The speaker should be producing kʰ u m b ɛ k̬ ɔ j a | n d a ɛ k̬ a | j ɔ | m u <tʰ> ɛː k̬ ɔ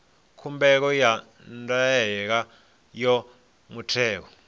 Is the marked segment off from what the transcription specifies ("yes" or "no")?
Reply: no